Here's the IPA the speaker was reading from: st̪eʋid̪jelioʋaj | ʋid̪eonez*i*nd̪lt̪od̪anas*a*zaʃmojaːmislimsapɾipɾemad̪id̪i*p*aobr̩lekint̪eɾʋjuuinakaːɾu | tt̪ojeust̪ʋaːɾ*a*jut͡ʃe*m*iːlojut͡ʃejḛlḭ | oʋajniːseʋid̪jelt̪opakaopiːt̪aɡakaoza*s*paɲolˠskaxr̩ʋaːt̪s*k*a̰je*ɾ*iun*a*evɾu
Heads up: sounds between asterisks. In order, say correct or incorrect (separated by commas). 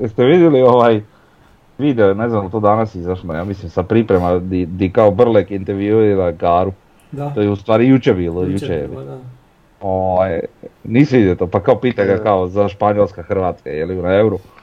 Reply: incorrect, incorrect, incorrect, incorrect, incorrect, incorrect, correct, incorrect, correct